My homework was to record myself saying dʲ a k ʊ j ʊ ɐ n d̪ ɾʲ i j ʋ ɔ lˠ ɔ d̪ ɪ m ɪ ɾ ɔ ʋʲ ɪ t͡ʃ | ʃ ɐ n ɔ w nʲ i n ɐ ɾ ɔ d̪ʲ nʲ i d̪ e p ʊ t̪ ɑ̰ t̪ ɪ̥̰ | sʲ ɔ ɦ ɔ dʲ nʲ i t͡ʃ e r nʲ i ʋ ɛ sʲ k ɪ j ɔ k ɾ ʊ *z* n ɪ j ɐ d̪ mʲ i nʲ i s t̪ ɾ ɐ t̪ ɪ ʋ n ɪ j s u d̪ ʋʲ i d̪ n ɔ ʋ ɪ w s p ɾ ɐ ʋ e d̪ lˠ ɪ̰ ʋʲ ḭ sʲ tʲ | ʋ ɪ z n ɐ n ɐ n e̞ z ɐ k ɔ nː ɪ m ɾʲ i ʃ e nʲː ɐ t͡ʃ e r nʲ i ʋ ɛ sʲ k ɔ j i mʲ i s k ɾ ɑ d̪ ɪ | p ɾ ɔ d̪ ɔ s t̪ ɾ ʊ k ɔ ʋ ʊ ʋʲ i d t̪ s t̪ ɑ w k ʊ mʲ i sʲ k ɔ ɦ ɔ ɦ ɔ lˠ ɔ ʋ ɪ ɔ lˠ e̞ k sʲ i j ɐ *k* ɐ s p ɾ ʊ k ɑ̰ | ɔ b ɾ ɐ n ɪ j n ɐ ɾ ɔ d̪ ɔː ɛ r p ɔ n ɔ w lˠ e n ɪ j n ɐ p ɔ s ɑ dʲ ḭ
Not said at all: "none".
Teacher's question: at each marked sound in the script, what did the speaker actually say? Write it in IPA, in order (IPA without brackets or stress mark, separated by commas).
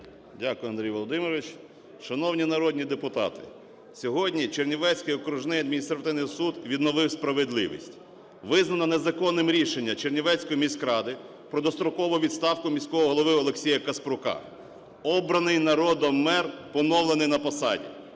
ʒ, k